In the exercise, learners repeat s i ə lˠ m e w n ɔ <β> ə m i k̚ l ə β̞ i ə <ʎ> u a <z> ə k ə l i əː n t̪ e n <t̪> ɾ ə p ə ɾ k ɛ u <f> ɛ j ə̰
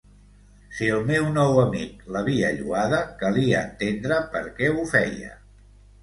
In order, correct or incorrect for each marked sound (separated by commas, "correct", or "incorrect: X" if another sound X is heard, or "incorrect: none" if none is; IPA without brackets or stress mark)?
incorrect: w, correct, incorrect: ð, incorrect: d̪, correct